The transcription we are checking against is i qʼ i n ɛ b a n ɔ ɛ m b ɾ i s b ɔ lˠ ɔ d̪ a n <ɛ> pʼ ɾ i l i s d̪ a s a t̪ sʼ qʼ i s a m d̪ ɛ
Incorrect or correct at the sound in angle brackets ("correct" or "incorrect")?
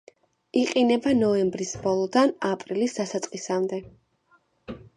incorrect